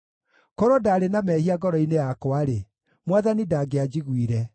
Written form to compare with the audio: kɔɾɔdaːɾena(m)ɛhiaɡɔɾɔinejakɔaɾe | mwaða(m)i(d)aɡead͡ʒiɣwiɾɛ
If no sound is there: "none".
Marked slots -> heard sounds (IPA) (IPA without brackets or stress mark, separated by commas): m, n, d